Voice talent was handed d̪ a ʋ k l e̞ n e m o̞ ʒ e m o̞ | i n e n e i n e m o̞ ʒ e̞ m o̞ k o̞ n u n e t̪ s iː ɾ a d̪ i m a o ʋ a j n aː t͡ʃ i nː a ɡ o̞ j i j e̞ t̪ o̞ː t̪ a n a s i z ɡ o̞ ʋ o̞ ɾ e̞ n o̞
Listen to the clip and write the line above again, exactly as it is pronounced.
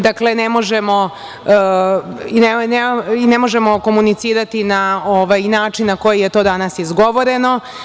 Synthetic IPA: d̪ a k l e̞ n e m o̞ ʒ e m o̞ | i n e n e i n e m o̞ ʒ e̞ m o̞ k o̞ m u n i t̪ s iː ɾ a t̪ i n a o ʋ a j n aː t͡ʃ i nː a k o̞ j i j e̞ t̪ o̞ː d̪ a n a s i z ɡ o̞ ʋ o̞ ɾ e̞ n o̞